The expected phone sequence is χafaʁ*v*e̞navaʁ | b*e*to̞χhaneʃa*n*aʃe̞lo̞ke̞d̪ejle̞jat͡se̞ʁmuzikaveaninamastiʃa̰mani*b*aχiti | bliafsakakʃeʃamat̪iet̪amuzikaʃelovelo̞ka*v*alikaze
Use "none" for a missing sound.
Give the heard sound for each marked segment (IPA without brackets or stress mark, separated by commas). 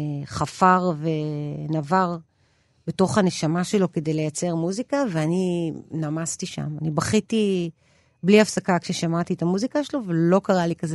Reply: v, e, m, b, ʁ